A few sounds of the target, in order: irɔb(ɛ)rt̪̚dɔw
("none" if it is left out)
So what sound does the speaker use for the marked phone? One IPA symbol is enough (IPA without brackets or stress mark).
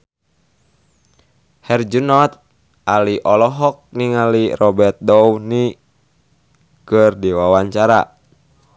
ɛ